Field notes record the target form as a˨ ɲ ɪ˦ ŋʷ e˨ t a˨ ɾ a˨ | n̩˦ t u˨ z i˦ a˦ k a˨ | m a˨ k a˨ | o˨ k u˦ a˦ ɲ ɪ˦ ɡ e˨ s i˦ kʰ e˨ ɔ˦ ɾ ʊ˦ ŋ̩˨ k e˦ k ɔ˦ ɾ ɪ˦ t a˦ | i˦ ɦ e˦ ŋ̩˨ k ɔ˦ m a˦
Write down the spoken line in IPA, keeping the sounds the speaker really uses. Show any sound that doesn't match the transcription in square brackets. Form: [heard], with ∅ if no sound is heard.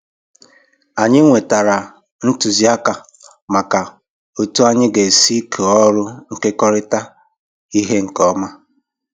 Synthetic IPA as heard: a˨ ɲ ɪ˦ ŋʷ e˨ t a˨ ɾ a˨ | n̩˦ t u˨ z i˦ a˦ k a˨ | m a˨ k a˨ | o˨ [t] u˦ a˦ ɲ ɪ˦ ɡ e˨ s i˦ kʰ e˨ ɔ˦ ɾ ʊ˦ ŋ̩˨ k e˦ k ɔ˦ ɾ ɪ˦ t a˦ | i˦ ɦ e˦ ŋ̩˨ k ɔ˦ m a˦